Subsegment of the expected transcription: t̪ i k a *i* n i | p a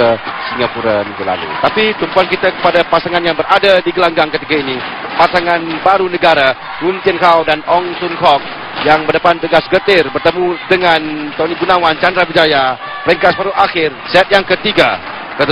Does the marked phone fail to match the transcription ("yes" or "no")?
no